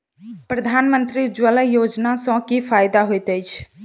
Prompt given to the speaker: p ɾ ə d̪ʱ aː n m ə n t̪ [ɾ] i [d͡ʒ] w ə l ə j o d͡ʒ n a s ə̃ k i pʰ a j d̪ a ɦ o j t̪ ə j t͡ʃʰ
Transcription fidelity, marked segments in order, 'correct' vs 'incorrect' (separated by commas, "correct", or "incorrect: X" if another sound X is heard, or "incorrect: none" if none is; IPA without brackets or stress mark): correct, correct